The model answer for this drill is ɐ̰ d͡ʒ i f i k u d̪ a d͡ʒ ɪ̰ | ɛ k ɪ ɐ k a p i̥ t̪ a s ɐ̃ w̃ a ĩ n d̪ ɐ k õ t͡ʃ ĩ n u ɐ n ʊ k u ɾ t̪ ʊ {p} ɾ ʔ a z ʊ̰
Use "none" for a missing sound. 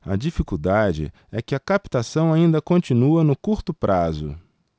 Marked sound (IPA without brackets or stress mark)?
p